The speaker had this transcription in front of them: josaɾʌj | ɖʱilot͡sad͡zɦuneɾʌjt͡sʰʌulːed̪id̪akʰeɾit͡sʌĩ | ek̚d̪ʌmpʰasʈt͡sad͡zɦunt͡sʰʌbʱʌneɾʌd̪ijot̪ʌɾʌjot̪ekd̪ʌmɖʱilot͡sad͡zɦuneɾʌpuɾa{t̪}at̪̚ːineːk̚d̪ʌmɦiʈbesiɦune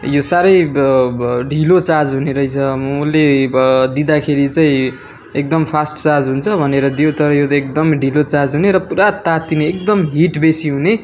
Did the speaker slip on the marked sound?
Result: no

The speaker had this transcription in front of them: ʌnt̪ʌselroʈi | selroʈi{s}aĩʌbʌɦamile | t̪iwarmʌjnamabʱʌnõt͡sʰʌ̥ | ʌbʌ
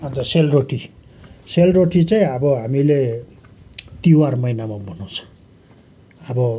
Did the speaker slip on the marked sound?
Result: yes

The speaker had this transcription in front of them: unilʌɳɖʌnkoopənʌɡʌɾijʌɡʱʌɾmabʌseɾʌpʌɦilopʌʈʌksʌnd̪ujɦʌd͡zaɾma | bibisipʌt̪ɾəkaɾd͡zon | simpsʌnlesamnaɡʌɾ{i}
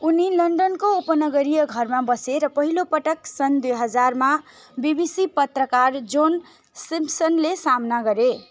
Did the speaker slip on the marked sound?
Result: yes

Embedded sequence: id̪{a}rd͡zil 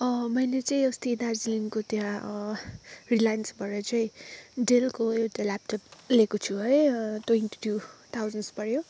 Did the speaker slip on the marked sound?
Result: no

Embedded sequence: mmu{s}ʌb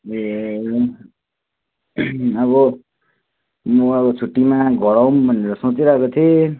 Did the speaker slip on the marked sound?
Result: yes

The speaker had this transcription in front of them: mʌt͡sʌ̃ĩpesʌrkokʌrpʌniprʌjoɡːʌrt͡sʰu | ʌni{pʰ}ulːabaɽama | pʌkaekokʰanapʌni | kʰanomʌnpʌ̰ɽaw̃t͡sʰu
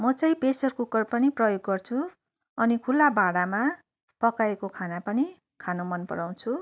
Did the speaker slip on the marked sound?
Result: yes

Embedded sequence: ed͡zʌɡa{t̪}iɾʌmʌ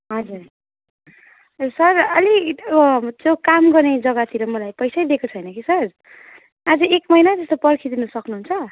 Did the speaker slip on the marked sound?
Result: yes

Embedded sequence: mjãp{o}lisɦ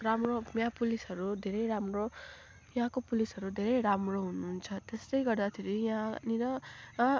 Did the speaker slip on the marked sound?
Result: yes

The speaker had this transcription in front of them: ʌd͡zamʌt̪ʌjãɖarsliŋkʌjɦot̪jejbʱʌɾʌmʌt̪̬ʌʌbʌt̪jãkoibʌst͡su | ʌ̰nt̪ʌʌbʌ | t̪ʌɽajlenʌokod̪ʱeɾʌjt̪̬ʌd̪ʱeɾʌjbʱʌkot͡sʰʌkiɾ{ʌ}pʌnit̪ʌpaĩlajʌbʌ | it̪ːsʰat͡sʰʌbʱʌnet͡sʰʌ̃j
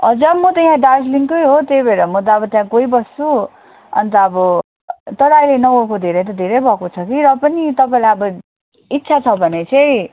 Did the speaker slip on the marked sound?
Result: no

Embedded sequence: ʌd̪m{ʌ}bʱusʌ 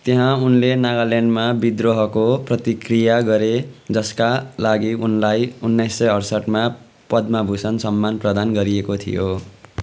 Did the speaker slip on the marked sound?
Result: yes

